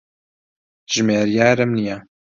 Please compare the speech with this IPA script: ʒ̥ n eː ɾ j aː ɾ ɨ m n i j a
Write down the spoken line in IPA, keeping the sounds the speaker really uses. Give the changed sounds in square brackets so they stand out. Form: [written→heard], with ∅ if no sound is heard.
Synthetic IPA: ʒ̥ [n→m] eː ɾ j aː ɾ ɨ m n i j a